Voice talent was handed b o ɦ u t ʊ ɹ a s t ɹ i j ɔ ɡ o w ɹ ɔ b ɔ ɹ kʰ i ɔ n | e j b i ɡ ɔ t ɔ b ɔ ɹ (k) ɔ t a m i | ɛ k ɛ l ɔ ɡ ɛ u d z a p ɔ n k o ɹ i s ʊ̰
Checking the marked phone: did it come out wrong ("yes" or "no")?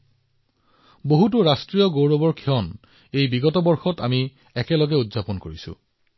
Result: yes